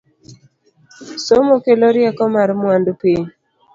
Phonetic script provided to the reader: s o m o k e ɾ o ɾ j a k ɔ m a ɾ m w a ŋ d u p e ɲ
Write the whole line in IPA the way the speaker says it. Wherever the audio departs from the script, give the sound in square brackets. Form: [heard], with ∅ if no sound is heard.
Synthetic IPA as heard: s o m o k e [l] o ɾ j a k ɔ m a ɾ m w a [n] d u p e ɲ